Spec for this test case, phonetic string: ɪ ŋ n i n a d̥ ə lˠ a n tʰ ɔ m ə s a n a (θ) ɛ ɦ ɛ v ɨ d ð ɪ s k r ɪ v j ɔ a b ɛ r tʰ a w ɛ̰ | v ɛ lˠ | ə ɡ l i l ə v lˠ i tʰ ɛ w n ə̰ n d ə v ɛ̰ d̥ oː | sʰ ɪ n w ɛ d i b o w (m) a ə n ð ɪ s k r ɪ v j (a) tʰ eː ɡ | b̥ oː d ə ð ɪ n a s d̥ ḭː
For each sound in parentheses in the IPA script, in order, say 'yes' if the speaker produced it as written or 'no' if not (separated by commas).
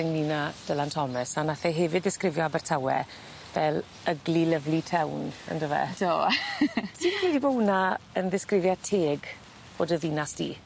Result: yes, no, yes